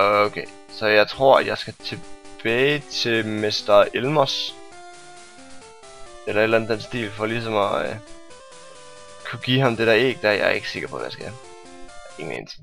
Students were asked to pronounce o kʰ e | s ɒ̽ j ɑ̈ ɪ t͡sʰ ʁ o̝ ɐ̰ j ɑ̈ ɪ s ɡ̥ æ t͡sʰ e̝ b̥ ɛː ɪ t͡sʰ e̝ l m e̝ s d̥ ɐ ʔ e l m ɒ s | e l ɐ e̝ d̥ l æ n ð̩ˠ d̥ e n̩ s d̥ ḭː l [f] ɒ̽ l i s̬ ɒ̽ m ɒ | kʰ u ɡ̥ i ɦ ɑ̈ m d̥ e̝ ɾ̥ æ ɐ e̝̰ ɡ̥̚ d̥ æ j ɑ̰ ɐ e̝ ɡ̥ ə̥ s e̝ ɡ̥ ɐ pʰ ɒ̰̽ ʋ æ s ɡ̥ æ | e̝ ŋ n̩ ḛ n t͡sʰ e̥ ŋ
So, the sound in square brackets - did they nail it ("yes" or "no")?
yes